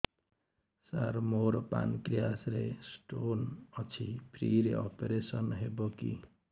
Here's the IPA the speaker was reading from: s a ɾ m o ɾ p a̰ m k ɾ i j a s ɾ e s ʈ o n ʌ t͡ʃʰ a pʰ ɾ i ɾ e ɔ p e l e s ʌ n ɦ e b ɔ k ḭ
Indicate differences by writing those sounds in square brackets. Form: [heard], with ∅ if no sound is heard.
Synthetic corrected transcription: s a ɾ m o ɾ p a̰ [n] k ɾ i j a s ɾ e s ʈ o n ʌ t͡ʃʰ [i] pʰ ɾ i ɾ e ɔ p e [ɾ] e s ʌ n ɦ e b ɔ k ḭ